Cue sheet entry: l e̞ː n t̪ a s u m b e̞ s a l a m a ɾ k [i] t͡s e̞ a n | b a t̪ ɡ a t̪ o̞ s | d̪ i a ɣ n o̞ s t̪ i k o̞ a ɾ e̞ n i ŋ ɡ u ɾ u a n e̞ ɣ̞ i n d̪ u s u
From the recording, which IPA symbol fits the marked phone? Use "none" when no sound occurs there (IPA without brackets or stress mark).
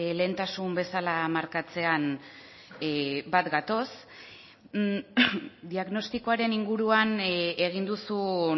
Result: a